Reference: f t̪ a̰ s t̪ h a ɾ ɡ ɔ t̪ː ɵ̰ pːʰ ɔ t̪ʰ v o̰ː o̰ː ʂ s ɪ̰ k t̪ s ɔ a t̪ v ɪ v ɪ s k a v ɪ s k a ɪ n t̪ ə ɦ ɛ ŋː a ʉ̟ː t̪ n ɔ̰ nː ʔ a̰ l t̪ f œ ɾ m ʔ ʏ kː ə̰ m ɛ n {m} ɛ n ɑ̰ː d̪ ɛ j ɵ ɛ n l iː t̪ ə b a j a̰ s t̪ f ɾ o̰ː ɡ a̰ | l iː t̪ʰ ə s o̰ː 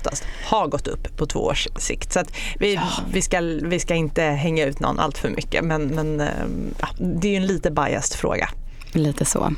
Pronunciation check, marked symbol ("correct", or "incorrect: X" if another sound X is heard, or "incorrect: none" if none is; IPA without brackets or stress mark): correct